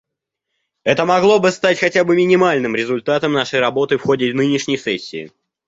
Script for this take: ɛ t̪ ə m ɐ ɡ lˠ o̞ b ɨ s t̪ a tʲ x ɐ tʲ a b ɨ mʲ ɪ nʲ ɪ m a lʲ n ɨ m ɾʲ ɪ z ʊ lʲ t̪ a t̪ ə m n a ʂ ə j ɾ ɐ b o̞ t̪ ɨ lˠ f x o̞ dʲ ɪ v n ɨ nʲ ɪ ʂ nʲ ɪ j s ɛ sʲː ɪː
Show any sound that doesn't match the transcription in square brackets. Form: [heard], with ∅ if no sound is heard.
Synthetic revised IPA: ɛ t̪ ə m ɐ ɡ lˠ o̞ b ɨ s t̪ a tʲ x ɐ tʲ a b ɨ mʲ ɪ nʲ ɪ m a lʲ n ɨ m ɾʲ ɪ z ʊ lʲ t̪ a t̪ ə m n a ʂ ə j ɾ ɐ b o̞ t̪ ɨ [∅] f x o̞ dʲ ɪ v n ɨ nʲ ɪ ʂ nʲ ɪ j s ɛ sʲː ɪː